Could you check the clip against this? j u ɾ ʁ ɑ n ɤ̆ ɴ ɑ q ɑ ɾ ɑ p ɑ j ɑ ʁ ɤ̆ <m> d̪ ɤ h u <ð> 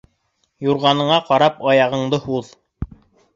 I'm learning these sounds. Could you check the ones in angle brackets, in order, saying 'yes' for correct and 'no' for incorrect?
no, yes

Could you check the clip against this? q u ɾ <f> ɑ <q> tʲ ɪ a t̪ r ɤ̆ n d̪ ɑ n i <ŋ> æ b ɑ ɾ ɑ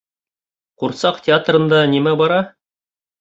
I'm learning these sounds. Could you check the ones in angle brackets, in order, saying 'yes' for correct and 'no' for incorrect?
no, yes, no

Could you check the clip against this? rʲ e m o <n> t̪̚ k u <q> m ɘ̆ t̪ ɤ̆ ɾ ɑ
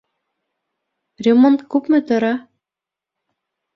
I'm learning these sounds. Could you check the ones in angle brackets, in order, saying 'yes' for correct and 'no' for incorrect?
yes, no

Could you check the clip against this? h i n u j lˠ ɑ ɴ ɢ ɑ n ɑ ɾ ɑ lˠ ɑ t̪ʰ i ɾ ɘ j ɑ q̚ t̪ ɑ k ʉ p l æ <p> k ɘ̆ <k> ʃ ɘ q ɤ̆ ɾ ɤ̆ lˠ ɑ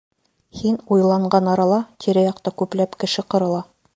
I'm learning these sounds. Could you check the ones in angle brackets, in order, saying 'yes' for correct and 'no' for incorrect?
yes, no

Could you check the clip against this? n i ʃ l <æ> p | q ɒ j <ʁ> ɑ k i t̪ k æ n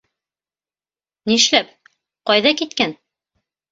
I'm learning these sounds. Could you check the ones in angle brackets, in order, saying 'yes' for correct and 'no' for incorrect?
yes, no

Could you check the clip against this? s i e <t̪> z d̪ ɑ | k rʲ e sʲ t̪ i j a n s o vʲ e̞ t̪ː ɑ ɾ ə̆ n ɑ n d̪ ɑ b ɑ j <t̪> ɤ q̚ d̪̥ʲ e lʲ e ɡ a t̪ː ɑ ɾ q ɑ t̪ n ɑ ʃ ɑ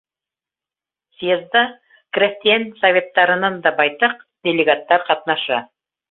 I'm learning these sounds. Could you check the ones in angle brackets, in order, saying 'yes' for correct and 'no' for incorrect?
no, yes

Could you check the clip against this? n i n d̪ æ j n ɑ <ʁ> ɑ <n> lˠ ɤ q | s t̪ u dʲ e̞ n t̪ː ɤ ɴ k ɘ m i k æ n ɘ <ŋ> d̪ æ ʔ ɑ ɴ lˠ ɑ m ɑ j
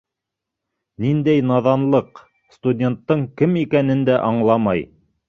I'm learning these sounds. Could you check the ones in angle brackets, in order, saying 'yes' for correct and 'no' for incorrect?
no, yes, no

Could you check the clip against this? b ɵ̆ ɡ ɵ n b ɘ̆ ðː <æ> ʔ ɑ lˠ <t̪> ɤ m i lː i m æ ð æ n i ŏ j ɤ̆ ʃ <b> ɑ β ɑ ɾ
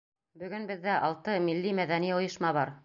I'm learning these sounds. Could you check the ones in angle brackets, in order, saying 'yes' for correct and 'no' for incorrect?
yes, yes, no

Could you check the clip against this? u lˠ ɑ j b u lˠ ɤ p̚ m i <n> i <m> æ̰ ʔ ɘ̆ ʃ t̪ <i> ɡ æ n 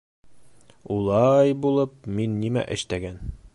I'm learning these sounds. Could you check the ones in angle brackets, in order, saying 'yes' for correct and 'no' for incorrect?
no, yes, no

